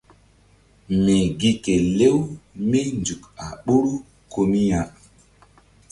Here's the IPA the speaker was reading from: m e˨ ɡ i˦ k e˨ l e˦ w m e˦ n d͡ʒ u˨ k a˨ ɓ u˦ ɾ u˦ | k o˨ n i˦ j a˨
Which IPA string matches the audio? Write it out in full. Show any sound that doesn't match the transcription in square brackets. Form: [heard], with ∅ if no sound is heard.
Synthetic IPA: m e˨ ɡ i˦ k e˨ l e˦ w m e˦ n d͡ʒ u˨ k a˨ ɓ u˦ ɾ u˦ | k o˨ [m] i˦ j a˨